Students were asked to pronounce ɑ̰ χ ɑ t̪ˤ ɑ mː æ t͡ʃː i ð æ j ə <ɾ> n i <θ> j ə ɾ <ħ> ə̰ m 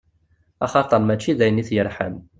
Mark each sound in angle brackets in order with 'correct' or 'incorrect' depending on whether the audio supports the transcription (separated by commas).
incorrect, correct, correct